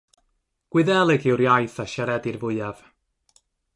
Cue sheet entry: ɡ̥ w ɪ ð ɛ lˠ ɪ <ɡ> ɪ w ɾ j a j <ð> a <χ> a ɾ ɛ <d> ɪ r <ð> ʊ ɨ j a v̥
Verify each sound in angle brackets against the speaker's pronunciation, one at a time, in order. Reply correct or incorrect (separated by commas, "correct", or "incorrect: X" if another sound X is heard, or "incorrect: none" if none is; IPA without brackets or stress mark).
correct, incorrect: θ, incorrect: ʃ, correct, incorrect: v